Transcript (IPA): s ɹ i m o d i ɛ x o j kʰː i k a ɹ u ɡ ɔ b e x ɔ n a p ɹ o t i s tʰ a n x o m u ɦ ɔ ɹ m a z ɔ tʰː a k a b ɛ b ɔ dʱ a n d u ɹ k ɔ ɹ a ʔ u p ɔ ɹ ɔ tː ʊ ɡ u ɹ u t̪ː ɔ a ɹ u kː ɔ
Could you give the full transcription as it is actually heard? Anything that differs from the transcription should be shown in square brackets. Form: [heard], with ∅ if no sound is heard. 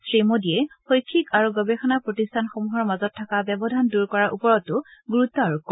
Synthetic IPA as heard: s ɹ i m o d i ɛ x o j kʰː i k a ɹ u ɡ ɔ b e x ɔ n a p ɹ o t i s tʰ a n x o m u ɦ ɔ ɹ m a z ɔ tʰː a k a b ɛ b ɔ dʱ a n d u ɹ k ɔ ɹ a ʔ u p ɔ ɹ ɔ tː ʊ ɡ u ɹ u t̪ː ɔ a ɹ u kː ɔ